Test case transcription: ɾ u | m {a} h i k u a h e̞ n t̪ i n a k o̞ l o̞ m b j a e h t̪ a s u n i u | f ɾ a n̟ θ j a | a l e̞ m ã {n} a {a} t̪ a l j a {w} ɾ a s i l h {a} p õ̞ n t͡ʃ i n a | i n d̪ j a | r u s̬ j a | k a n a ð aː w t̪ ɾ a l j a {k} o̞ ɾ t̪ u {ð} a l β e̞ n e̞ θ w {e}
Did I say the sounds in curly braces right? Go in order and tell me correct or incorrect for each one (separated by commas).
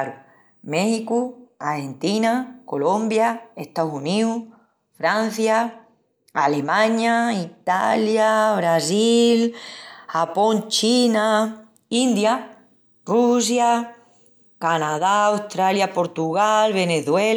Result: incorrect, incorrect, incorrect, incorrect, correct, incorrect, incorrect, correct